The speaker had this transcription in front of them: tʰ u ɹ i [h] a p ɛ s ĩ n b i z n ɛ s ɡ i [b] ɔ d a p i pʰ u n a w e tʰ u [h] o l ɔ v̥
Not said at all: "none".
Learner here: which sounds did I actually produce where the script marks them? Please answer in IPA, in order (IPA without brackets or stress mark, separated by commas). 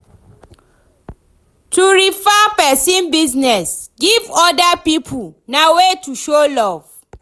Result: f, v, ʃ